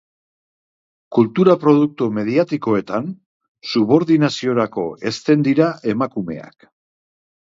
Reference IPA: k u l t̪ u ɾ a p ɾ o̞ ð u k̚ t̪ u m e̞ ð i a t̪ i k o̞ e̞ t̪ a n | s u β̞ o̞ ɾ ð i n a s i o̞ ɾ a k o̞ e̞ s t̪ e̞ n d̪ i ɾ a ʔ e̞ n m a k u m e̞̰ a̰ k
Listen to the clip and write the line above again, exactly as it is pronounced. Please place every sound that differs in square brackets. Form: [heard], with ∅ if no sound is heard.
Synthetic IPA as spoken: k u l t̪ u ɾ a p ɾ o̞ ð u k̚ t̪ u m e̞ ð i a t̪ i k o̞ e̞ t̪ a n | s u β̞ o̞ ɾ ð i n a s i o̞ ɾ a k o̞ e̞ s t̪ e̞ n d̪ i ɾ a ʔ e̞ [∅] m a k u m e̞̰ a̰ k